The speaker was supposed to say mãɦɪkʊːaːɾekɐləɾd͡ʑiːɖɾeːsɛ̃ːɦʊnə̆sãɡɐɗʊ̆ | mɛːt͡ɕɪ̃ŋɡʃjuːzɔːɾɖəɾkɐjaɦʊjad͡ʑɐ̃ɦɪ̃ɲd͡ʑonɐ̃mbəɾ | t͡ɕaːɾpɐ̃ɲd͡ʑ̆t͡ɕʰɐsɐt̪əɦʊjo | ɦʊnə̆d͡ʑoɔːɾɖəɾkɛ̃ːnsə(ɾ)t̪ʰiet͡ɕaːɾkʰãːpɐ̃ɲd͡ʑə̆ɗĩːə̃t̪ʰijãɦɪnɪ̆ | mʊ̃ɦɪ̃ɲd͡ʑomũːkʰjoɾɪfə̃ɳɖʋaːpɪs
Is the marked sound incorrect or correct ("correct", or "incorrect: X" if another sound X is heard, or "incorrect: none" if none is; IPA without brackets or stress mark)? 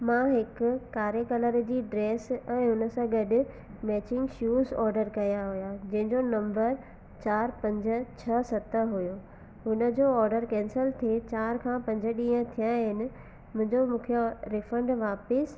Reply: incorrect: l